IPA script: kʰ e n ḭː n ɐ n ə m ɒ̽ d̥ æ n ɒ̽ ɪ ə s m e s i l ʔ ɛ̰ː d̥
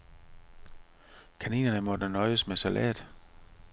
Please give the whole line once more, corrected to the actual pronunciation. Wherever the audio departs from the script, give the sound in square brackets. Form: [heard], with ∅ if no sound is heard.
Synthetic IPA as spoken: kʰ [æ] n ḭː n ɐ n ə m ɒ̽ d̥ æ n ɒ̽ ɪ ə s m e s [æ] l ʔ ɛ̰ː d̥